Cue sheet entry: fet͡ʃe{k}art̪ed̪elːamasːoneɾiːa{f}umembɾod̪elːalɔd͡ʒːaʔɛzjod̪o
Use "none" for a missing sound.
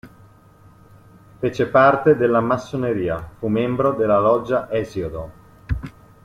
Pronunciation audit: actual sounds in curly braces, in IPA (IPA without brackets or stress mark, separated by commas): p, f